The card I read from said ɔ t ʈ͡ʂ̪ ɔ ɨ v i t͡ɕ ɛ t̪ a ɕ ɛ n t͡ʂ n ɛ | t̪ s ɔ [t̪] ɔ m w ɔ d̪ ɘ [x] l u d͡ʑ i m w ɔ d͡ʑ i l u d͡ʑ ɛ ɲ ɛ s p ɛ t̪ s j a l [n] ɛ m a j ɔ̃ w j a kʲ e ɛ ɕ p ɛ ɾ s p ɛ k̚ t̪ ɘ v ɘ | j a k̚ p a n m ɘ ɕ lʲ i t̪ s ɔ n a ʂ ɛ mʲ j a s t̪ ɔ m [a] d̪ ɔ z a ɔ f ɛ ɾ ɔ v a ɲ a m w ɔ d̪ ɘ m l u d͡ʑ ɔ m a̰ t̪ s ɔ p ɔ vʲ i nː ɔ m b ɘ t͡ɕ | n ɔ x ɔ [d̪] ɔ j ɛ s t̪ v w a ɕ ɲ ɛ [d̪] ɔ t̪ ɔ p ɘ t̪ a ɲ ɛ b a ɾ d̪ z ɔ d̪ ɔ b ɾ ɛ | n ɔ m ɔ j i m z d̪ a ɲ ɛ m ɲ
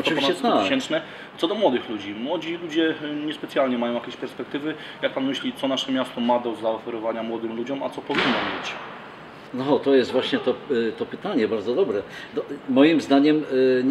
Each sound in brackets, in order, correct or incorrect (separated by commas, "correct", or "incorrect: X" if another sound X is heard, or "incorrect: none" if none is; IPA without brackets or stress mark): incorrect: d̪, correct, incorrect: ɲ, correct, incorrect: t̪, incorrect: t̪